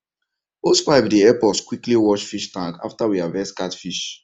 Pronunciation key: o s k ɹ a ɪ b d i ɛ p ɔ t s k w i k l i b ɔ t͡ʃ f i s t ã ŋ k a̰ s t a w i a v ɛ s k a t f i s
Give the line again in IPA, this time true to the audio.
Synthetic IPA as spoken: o s k ɹ a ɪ b d i ɛ p ɔ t s k w i k l i w ɔ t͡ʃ f i ʃ t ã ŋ k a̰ f t a w i a v ɛ s k a t f i ʃ